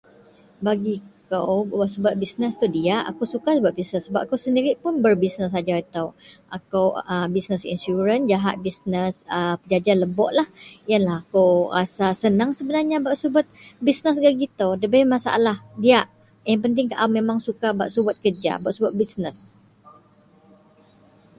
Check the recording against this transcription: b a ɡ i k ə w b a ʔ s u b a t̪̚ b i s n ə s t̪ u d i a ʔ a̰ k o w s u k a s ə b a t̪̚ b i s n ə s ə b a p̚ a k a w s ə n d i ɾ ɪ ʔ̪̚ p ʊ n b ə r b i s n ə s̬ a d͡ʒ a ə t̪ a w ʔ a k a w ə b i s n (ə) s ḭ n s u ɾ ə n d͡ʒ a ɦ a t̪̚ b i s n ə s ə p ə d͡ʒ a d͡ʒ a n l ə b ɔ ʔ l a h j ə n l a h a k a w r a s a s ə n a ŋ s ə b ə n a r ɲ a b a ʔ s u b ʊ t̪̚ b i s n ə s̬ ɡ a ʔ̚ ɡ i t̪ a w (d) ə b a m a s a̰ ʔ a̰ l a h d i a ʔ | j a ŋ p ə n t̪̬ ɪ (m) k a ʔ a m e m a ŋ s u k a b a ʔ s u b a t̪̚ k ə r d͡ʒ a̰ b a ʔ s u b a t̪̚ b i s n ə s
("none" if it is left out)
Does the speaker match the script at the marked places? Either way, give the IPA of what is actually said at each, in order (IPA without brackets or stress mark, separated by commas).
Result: ə, d, ŋ